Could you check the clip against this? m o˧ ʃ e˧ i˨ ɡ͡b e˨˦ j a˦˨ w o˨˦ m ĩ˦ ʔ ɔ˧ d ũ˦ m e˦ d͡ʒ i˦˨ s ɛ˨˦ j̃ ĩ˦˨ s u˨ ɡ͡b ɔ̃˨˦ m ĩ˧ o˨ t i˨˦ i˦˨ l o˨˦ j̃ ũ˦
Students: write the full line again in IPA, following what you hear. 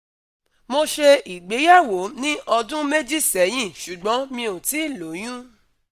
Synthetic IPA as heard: m o˧ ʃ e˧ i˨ ɡ͡b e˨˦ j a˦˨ w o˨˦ n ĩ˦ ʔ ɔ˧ d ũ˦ m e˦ d͡ʒ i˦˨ s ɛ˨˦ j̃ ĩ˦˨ ʃ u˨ ɡ͡b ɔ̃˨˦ m ĩ˧ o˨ t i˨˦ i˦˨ l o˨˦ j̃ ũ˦